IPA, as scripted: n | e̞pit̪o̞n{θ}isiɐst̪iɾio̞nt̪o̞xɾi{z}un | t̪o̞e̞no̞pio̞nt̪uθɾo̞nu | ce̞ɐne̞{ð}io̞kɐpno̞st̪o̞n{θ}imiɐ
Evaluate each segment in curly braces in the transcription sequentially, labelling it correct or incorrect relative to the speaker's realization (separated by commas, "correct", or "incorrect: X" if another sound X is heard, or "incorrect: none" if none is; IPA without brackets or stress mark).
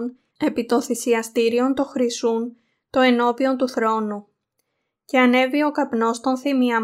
correct, incorrect: s, incorrect: v, correct